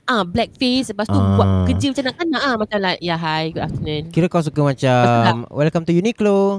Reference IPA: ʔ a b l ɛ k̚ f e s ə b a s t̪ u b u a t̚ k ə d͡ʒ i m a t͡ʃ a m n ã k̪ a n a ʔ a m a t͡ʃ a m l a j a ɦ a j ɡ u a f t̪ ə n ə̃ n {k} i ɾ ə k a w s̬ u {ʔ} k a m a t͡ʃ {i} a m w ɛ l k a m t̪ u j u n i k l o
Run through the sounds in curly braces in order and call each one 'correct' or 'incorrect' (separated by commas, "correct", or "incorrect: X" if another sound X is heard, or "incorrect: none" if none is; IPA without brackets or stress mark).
correct, incorrect: none, incorrect: a